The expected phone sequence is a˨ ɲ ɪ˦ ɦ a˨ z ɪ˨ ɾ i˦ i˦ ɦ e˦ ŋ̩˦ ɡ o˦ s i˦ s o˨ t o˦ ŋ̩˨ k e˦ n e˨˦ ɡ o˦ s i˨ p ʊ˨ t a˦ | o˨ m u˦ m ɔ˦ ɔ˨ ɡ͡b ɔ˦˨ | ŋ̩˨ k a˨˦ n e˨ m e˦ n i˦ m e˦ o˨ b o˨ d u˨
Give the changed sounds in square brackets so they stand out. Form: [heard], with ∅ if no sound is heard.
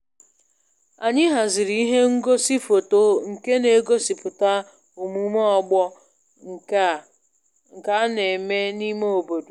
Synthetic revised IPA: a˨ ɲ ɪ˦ ɦ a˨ z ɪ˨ ɾ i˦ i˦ ɦ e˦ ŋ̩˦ ɡ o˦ s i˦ [f] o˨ t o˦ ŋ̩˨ k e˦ n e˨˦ ɡ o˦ s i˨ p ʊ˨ t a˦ | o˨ m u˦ m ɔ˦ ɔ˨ ɡ͡b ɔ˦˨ | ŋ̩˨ k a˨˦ n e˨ m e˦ n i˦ m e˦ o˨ b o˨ d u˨